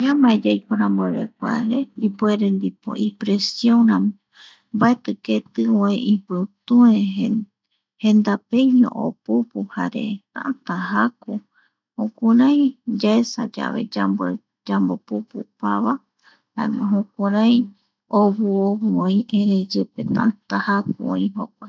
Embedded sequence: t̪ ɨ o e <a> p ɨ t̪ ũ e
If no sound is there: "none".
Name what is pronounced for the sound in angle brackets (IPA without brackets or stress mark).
i